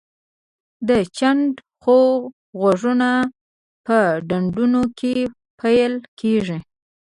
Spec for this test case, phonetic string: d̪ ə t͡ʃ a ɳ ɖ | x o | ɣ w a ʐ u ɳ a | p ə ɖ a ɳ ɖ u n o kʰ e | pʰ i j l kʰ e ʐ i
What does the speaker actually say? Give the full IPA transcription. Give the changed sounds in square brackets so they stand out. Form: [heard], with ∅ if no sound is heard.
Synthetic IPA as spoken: d̪ ə t͡ʃ a ɳ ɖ | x o | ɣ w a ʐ u [n] a | p ə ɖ a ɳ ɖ u n o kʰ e | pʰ [a] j l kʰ e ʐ i